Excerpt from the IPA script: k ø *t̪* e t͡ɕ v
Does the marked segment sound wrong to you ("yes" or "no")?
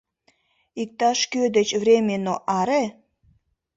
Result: yes